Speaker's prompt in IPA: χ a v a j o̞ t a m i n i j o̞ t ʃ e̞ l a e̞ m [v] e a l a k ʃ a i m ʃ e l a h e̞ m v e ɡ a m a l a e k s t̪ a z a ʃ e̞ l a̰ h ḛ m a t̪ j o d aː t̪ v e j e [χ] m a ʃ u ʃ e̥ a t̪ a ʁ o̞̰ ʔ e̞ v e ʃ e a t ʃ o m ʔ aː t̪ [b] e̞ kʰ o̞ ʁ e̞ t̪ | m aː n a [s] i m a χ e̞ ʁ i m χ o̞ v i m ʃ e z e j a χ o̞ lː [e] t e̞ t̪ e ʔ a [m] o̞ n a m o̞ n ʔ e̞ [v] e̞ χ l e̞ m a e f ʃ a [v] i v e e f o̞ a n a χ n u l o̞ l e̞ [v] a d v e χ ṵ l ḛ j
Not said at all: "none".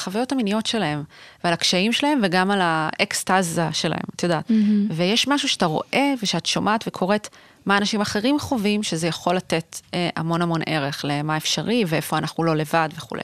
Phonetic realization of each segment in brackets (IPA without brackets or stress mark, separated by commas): v, ʃ, v, ʃ, a, m, ʁ, ʁ, v